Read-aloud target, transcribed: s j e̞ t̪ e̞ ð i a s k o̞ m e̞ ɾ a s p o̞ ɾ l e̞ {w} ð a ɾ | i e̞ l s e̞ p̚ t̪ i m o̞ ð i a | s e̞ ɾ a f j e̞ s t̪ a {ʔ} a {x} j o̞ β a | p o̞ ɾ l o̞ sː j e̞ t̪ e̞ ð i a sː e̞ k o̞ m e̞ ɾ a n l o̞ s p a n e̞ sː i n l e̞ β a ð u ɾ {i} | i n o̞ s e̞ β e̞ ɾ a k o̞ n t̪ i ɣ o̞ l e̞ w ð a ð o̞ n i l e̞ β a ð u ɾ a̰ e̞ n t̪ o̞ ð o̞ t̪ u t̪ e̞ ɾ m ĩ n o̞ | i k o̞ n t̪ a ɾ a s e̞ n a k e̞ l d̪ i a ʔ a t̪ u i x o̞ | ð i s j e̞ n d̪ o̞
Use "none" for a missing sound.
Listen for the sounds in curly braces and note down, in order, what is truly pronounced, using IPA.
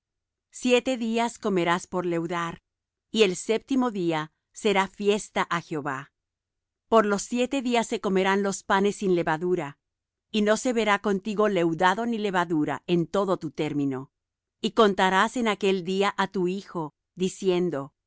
w, ʔ, x, a

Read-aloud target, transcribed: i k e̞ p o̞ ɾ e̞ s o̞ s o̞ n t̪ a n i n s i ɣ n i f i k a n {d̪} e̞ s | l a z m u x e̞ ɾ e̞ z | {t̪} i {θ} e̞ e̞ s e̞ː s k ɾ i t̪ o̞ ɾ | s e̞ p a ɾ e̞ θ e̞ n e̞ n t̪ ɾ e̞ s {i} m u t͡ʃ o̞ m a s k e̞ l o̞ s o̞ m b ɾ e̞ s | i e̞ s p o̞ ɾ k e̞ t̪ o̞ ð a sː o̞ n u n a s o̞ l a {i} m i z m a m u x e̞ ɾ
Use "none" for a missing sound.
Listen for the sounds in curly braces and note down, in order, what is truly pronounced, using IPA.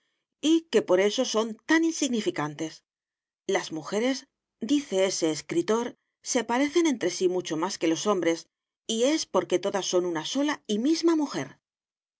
t̪, d̪, θ, i, i

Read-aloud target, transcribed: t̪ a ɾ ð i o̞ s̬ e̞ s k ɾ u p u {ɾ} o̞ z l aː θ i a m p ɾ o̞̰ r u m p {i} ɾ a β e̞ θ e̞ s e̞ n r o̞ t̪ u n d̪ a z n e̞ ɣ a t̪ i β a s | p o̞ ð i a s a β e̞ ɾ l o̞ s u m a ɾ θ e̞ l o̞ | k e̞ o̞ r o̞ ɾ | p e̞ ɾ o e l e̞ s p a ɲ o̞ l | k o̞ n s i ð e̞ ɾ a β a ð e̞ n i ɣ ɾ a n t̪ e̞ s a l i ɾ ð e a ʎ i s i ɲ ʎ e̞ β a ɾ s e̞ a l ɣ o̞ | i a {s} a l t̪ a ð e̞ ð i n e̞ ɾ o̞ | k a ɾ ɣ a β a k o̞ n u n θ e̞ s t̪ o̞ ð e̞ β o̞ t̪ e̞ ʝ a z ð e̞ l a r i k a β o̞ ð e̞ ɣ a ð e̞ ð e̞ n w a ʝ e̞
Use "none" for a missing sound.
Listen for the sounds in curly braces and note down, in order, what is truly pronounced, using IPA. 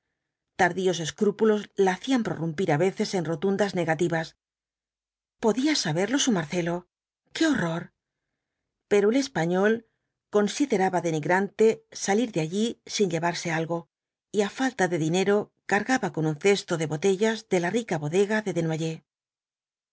l, i, f

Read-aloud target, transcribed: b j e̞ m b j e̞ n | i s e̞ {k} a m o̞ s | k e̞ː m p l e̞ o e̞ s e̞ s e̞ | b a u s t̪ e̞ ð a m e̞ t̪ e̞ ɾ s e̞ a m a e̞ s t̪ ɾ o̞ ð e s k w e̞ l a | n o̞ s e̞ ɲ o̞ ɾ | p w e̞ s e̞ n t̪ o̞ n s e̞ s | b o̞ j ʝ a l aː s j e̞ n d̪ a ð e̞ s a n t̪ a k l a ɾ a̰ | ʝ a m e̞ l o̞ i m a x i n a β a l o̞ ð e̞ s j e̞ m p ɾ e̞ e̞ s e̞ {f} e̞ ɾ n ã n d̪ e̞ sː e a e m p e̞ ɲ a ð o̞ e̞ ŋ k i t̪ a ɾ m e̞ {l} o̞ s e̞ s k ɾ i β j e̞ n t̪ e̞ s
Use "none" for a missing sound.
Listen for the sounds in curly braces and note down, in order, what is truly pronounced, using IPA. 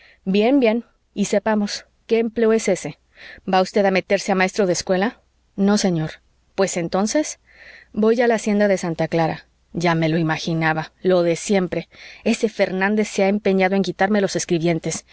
p, f, l

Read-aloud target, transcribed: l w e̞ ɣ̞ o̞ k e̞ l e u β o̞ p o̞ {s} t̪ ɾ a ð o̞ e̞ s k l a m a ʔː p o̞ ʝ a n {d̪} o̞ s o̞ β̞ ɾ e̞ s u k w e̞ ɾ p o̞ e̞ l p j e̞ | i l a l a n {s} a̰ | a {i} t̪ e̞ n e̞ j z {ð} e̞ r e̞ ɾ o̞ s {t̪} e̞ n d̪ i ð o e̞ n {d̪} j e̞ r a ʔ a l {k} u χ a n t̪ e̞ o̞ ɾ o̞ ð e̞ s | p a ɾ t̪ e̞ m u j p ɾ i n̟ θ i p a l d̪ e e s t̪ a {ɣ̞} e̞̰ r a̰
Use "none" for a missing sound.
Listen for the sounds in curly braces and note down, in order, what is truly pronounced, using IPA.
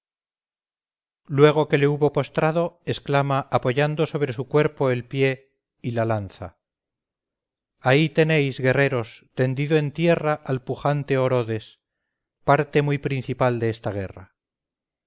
s, d̪, θ, i, ɣ, t̪, t̪, p, ɣ̞

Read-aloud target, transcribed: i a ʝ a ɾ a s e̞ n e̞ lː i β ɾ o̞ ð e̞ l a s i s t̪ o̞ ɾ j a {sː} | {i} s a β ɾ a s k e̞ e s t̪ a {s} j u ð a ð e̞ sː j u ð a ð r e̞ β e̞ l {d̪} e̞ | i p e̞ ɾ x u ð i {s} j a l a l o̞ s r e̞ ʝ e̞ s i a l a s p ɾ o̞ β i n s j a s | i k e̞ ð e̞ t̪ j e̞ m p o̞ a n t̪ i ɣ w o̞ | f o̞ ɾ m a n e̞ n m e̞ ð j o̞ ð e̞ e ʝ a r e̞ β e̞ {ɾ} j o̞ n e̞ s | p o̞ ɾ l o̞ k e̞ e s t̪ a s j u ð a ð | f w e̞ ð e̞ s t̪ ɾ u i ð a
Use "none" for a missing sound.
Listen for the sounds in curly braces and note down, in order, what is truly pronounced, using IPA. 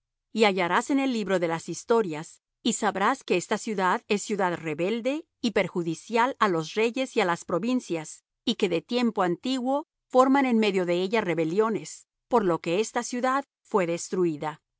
s, i, s, d̪, s, l

